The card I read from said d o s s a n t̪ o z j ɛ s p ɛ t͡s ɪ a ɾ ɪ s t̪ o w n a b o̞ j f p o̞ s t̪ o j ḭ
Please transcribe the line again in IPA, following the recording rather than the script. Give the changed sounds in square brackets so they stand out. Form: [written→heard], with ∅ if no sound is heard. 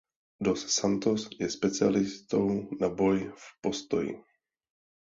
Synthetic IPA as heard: d o s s a n t̪ o [z→s] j ɛ s p ɛ t͡s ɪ a [ɾ→l] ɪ s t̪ o w n a b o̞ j f p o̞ s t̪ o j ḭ